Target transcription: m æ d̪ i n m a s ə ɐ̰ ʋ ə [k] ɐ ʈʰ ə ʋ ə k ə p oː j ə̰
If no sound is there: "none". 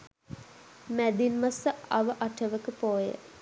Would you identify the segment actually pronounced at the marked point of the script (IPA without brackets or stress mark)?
ʔ